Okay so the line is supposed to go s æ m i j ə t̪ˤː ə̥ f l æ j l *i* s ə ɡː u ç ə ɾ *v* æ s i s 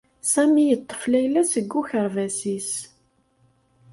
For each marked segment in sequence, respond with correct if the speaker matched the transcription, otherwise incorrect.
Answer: incorrect, correct

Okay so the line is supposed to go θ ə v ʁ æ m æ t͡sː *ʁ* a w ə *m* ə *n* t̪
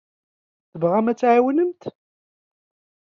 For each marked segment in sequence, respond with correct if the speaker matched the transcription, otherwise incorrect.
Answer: incorrect, incorrect, incorrect

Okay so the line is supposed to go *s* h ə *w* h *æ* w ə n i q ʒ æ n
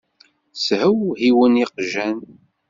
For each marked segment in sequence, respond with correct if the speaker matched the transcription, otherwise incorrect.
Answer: correct, correct, incorrect

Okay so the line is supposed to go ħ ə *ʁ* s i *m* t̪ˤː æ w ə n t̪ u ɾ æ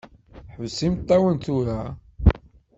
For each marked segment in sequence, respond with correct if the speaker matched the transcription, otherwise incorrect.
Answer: incorrect, correct

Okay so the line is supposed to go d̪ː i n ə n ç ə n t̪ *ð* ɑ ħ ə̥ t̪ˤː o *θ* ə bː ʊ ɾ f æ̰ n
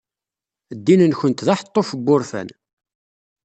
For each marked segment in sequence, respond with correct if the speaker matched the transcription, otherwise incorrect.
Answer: correct, incorrect

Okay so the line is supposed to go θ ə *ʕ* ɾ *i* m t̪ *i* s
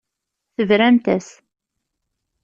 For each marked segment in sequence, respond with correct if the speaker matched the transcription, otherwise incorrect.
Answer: incorrect, incorrect, incorrect

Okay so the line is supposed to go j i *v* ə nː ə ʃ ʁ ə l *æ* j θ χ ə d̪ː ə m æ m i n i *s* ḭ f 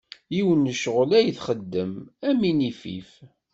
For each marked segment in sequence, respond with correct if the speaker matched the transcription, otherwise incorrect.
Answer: incorrect, correct, incorrect

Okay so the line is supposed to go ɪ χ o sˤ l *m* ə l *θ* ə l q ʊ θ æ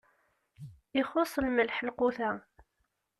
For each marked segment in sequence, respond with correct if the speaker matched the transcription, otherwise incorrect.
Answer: correct, incorrect

